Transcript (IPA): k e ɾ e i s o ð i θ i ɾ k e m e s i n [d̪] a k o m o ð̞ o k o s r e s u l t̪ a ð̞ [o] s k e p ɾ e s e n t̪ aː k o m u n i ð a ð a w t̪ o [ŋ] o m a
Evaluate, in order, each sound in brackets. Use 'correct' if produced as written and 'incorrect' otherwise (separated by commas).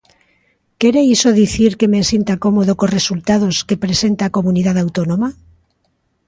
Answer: incorrect, correct, incorrect